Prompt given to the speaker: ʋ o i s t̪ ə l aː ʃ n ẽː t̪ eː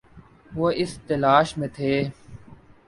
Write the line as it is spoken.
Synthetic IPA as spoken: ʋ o ɪ s t̪ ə l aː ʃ m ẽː t̪ʰ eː